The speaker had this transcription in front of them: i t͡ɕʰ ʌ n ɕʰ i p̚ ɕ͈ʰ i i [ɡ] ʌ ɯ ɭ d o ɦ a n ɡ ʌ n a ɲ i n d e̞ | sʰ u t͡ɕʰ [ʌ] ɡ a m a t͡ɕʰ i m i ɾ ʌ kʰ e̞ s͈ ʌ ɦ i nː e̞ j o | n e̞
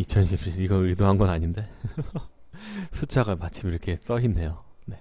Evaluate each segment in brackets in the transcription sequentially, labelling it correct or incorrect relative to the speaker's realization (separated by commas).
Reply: correct, incorrect